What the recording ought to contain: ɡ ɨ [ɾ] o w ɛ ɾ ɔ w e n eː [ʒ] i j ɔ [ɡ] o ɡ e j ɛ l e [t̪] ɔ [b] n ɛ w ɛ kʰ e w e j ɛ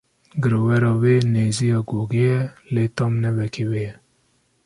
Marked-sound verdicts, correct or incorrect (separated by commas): correct, incorrect, correct, correct, incorrect